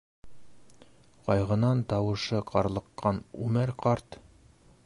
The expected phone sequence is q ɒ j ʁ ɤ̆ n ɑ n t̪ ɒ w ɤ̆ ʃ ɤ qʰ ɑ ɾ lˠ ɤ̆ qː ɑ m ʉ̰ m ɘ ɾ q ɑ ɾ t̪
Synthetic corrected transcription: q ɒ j ʁ ɤ̆ n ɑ n t̪ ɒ w ɤ̆ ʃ ɤ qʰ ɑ ɾ lˠ ɤ̆ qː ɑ n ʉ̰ m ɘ ɾ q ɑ ɾ t̪